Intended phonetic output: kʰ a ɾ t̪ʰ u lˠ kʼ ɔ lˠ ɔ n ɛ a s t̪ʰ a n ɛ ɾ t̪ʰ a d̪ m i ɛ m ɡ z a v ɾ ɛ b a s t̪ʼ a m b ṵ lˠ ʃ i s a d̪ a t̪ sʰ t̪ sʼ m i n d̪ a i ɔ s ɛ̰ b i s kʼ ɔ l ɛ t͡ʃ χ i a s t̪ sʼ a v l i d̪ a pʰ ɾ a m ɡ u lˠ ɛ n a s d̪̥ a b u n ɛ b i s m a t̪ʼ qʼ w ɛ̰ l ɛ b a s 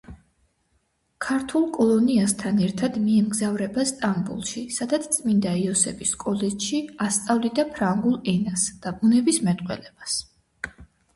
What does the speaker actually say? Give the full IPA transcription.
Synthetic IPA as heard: kʰ a ɾ t̪ʰ u lˠ kʼ ɔ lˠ ɔ n i a s t̪ʰ a n ɛ ɾ t̪ʰ a d̪ m i ɛ m ɡ z a v ɾ ɛ b a s t̪ʼ a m b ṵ lˠ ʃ i s a d̪ a t̪ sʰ t̪ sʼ m i n d̪ a i ɔ s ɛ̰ b i s kʼ ɔ l ɛ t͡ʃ ʃ i a s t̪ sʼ a v l i d̪ a pʰ ɾ a ŋ ɡ u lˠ ɛ n a s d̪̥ a b u n ɛ b i s m ɛ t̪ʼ qʼ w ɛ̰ l ɛ b a s